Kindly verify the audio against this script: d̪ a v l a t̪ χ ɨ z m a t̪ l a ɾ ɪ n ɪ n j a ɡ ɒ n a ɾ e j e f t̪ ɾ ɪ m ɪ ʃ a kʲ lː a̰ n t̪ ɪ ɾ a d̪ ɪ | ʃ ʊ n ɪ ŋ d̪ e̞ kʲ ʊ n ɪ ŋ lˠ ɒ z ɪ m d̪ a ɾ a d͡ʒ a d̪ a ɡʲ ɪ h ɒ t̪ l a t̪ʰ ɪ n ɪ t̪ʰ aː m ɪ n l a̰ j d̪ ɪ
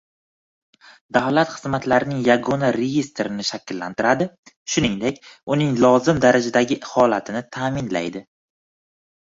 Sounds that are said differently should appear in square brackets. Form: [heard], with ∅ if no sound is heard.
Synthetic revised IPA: d̪ a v l a t̪ χ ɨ z m a t̪ l a ɾ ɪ n ɪ [ŋ] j a ɡ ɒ n a ɾ e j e [s] t̪ ɾ ɪ [n] ɪ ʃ a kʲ lː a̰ n t̪ ɪ ɾ a d̪ ɪ | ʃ ʊ n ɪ ŋ d̪ e̞ kʲ ʊ n ɪ ŋ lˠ ɒ z ɪ m d̪ a ɾ a d͡ʒ a d̪ a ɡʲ ɪ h ɒ [∅] l a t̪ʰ ɪ n ɪ t̪ʰ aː m ɪ n l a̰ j d̪ ɪ